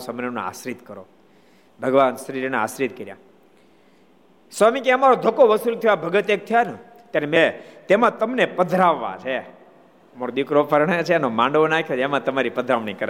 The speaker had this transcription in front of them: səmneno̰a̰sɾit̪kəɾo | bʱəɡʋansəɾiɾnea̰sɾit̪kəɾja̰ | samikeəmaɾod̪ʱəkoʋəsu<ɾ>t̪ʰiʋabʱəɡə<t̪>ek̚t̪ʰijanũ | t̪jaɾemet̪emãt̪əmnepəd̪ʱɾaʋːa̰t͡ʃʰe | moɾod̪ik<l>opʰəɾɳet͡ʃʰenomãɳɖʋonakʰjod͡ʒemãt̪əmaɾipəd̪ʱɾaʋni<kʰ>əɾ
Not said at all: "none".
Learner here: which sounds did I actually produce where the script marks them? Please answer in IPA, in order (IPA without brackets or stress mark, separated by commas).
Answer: l, t̪, ɾ, k